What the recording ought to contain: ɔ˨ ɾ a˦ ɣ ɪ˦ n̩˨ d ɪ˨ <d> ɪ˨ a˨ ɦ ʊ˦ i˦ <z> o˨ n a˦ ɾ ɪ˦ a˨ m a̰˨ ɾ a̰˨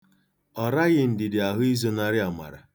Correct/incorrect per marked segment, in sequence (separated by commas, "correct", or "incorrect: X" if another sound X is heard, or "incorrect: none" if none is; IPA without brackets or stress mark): correct, correct